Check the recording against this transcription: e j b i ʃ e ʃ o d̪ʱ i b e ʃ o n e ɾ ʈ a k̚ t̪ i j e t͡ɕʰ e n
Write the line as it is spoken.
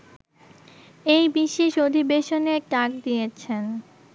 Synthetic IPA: e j b i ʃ e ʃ o d̪ʱ i b e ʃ o n e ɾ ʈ a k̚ d̪ i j e t͡ɕʰ e n